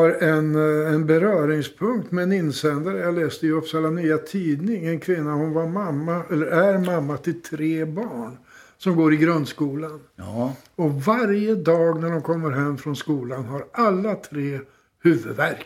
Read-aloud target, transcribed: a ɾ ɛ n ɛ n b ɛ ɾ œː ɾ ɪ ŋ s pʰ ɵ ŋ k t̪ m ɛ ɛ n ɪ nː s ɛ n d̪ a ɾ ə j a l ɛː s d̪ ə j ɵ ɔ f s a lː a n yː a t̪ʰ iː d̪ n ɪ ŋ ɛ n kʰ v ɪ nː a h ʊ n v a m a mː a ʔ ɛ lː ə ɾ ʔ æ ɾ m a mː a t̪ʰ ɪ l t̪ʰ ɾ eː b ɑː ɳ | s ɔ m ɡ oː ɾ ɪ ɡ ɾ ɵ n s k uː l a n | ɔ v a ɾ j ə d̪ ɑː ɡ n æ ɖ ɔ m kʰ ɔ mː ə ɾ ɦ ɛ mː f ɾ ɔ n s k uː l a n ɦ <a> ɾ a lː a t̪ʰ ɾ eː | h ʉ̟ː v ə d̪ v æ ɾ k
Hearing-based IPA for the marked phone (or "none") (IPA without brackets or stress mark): a